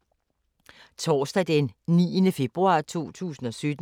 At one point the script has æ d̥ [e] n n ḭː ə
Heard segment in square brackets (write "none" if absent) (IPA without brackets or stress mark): e